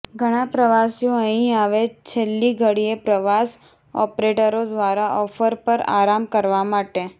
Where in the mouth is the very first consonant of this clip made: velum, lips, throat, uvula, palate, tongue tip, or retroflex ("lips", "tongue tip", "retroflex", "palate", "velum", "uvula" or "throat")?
velum